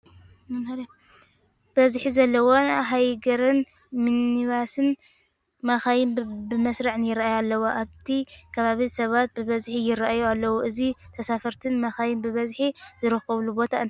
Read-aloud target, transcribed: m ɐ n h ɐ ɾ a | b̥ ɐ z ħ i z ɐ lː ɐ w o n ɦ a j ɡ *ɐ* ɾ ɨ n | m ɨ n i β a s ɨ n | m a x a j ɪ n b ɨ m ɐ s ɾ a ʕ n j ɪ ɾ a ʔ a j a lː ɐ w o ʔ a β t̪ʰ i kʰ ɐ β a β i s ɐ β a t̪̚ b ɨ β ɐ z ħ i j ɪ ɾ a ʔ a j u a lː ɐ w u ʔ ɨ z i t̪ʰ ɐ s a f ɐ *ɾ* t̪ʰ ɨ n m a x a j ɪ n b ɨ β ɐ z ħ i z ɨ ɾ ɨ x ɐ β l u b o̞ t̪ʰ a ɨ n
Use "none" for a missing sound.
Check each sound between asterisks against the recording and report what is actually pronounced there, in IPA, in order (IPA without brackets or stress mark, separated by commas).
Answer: ɐ, ɾ